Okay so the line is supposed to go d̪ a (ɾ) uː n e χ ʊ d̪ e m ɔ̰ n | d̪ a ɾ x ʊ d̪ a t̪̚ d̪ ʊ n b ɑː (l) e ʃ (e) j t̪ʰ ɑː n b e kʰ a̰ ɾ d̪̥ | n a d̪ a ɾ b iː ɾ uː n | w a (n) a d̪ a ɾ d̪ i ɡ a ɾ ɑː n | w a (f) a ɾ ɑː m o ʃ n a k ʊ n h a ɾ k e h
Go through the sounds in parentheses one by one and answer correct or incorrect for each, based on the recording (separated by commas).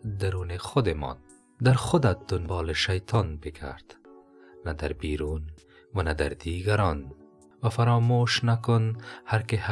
correct, correct, incorrect, correct, correct